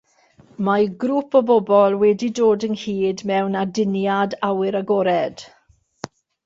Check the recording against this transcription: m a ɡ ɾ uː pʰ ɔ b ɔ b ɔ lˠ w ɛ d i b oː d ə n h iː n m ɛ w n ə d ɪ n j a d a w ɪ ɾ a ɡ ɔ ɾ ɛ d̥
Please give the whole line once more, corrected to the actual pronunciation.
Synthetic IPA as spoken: m a ɡ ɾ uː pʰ ɔ b ɔ b ɔ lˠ w ɛ d i d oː d ə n h iː d m ɛ w n a d ɪ n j a d a w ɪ ɾ a ɡ ɔ ɾ ɛ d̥

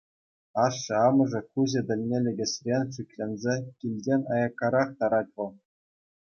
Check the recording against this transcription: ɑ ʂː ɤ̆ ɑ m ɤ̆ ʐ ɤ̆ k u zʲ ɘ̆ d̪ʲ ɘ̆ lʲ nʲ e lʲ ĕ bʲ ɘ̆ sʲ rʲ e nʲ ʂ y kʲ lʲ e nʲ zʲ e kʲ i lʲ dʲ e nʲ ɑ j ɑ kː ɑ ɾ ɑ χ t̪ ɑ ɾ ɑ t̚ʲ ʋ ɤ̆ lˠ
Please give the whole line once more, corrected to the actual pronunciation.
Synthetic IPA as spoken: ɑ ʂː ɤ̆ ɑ m ɤ̆ ʐ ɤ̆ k u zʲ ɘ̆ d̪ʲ ɘ̆ lʲ nʲ e lʲ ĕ ɡʲ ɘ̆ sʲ rʲ e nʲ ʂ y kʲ lʲ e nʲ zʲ e kʲ i lʲ dʲ e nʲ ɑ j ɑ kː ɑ ɾ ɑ χ t̪ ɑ ɾ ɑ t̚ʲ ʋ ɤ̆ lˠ

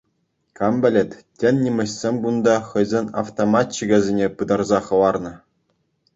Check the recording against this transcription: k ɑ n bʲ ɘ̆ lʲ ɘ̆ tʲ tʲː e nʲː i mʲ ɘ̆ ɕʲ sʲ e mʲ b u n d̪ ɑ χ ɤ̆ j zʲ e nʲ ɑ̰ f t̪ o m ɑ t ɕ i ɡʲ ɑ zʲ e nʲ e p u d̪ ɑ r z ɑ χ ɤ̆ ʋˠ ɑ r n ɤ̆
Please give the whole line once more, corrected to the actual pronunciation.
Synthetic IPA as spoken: k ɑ m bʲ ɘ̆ lʲ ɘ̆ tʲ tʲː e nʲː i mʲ ɘ̆ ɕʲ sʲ e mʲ b u n d̪ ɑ χ ɤ̆ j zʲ e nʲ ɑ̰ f t̪ o m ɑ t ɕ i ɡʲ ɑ zʲ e nʲ e p ɯ d̪ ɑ r z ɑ χ ɤ̆ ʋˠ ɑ r n ɤ̆

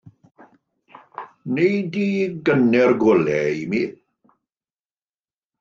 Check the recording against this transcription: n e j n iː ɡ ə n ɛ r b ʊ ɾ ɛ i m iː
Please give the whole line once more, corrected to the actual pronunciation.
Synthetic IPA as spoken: n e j d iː ɡ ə n ɛ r ɡ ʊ l ɛ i m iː

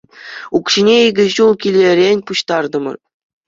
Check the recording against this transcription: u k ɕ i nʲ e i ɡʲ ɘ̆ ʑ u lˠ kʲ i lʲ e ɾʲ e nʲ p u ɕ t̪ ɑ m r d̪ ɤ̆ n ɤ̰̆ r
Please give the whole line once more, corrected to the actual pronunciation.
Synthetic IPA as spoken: u k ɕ i nʲ e i ɡʲ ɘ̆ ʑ u lˠ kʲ i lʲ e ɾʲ e nʲ p u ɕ t̪ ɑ r d̪ ɤ̆ m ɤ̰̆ r

